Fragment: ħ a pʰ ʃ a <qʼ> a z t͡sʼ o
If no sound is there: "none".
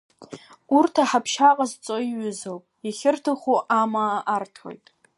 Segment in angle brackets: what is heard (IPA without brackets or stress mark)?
qʼ